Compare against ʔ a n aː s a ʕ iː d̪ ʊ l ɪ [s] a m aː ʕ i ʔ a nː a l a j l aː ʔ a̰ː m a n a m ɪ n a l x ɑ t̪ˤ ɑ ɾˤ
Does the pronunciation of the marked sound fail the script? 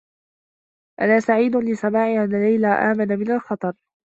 no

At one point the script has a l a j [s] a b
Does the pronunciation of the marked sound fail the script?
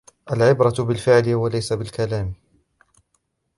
no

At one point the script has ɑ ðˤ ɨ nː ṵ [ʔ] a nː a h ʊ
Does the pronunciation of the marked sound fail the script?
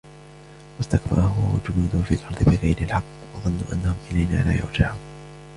no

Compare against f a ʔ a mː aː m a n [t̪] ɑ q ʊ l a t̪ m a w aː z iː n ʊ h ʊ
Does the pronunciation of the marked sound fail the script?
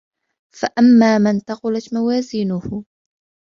no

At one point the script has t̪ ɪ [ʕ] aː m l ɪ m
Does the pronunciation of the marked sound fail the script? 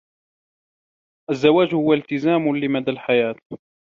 yes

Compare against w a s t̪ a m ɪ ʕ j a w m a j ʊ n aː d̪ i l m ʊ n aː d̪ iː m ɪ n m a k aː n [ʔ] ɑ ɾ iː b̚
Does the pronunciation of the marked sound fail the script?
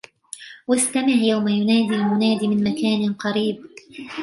yes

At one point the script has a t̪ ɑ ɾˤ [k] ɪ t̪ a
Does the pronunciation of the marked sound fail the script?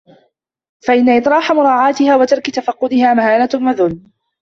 no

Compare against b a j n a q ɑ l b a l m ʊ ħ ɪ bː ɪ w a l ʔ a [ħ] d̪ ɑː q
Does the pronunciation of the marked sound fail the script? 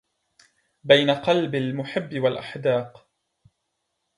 no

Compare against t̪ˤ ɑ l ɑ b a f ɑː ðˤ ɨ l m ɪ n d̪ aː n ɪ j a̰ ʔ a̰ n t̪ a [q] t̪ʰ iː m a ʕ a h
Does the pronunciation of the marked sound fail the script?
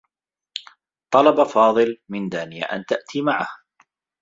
yes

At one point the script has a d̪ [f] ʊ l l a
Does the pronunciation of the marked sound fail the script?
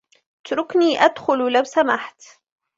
yes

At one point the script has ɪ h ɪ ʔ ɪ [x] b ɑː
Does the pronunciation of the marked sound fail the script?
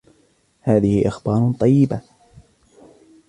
no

